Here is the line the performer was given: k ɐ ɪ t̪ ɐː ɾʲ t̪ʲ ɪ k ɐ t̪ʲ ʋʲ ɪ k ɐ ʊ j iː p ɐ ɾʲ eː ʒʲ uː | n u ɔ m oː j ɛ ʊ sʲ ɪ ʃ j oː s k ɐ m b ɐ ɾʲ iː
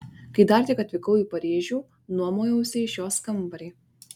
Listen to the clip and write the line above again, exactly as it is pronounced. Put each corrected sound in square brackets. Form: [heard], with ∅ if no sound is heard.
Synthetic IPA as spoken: k ɐ ɪ [d̪] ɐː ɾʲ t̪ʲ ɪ k ɐ t̪ʲ ʋʲ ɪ k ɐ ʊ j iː p ɐ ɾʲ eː ʒʲ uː | n u ɔ m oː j ɛ ʊ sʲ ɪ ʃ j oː s k ɐ m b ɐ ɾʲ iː

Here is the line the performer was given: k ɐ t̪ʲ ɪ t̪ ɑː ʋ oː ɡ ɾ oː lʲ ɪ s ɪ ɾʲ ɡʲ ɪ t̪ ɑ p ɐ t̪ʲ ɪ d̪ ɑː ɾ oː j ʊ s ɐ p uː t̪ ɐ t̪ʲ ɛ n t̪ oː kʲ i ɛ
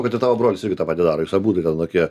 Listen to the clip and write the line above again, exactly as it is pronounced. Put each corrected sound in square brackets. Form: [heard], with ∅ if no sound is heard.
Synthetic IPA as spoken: k ɐ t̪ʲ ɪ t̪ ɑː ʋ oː [b] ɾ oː lʲ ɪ s ɪ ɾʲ ɡʲ ɪ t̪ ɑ p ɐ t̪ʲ ɪ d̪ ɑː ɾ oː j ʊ s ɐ [b] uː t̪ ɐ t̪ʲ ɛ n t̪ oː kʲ i ɛ

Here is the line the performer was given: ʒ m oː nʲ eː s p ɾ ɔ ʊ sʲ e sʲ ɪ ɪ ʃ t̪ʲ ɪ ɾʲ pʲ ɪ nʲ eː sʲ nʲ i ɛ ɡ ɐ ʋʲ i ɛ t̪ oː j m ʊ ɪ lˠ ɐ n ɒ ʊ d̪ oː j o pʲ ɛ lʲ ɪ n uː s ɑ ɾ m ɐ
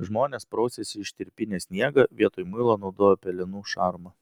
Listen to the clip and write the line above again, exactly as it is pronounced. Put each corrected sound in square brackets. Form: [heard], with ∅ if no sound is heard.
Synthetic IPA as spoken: ʒ m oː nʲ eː s p ɾ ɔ ʊ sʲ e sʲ ɪ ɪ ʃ t̪ʲ ɪ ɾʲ pʲ ɪ nʲ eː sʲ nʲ i ɛ ɡ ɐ ʋʲ i ɛ t̪ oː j m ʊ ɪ lˠ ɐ n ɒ ʊ d̪ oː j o pʲ ɛ lʲ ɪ n uː [ʃ] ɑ ɾ m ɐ

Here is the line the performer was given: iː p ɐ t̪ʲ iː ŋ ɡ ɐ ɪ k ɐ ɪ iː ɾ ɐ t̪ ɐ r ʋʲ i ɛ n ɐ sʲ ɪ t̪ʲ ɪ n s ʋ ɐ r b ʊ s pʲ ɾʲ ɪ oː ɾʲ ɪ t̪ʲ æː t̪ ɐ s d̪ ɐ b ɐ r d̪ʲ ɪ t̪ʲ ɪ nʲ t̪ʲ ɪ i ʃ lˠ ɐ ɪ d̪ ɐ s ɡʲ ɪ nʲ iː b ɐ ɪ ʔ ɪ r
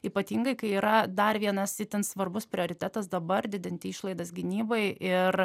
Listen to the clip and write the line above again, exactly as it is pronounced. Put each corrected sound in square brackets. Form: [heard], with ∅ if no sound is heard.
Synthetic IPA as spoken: iː p ɐ t̪ʲ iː ŋ ɡ ɐ ɪ k ɐ ɪ iː ɾ ɐ [d̪] ɐ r ʋʲ i ɛ n ɐ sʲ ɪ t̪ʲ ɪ n s ʋ ɐ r b ʊ s pʲ ɾʲ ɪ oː ɾʲ ɪ t̪ʲ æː t̪ ɐ s d̪ ɐ b ɐ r d̪ʲ ɪ [d̪ʲ] ɪ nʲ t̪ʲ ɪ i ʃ lˠ ɐ ɪ d̪ ɐ s ɡʲ ɪ nʲ iː b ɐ ɪ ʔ ɪ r

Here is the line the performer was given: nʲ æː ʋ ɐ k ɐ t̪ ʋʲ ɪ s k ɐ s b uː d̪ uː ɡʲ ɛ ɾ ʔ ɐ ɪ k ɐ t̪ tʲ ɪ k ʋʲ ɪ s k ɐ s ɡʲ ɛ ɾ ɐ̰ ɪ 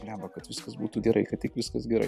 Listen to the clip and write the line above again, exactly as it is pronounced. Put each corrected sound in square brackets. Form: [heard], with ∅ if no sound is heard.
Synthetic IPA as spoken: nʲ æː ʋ ɐ k ɐ t̪ ʋʲ ɪ s k ɐ s b uː [t̪] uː ɡʲ ɛ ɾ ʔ ɐ ɪ k ɐ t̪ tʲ ɪ k ʋʲ ɪ s k ɐ s ɡʲ ɛ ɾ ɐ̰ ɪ

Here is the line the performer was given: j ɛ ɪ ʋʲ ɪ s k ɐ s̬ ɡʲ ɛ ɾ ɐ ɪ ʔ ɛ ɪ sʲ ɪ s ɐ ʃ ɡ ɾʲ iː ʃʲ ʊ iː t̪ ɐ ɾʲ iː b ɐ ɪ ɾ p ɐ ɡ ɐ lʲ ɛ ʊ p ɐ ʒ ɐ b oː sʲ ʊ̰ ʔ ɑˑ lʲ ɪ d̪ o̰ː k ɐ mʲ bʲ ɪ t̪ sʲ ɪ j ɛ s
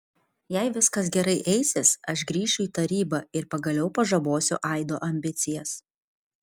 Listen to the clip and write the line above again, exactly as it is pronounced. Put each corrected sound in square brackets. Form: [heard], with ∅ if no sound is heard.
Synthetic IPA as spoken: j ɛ ɪ ʋʲ ɪ s k ɐ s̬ ɡʲ ɛ ɾ ɐ ɪ ʔ ɛ ɪ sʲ ɪ s ɐ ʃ ɡ ɾʲ iː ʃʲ ʊ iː t̪ ɐ ɾʲ iː b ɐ ɪ ɾ p ɐ ɡ ɐ lʲ ɛ ʊ p ɐ ʒ ɐ b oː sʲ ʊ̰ ʔ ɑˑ [∅] ɪ d̪ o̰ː [ʔ] ɐ mʲ bʲ ɪ t̪ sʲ ɪ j ɛ s

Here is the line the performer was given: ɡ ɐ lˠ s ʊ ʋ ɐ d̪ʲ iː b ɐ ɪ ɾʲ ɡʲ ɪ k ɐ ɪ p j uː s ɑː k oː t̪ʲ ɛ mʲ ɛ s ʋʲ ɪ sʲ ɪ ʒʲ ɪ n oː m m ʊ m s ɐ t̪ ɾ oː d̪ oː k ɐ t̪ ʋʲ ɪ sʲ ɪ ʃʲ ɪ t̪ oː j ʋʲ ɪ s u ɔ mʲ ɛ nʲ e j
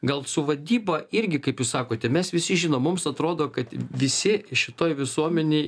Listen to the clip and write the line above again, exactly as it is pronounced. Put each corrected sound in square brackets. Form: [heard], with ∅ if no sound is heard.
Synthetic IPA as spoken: ɡ ɐ lˠ s ʊ ʋ ɐ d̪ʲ iː b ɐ ɪ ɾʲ ɡʲ ɪ k ɐ ɪ p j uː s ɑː k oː t̪ʲ ɛ mʲ ɛ s ʋʲ ɪ sʲ ɪ ʒʲ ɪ n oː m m ʊ m s ɐ t̪ ɾ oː d̪ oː k ɐ t̪ ʋʲ ɪ sʲ ɪ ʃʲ ɪ t̪ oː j ʋʲ ɪ s u ɔ mʲ ɛ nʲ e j

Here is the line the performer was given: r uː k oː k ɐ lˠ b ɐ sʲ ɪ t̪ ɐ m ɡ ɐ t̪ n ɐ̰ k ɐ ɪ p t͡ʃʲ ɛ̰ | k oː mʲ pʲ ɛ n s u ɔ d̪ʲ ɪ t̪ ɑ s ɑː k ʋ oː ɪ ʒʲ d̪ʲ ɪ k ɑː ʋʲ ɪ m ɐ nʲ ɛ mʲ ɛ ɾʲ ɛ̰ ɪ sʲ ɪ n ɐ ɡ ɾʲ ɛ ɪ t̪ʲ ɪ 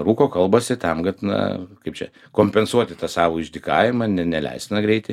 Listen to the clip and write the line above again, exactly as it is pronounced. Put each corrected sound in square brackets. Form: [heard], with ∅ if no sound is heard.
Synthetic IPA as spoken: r uː k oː k ɐ lˠ b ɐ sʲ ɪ t̪ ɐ m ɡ ɐ t̪ n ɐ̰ k ɐ ɪ p t͡ʃʲ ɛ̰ | k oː mʲ pʲ ɛ n s u ɔ [t̪ʲ] ɪ t̪ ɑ s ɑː [∅] ʋ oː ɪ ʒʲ d̪ʲ ɪ k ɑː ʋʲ ɪ m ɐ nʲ ɛ [nʲ] ɛ [lʲ] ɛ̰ ɪ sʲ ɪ n ɐ ɡ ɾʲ ɛ ɪ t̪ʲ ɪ

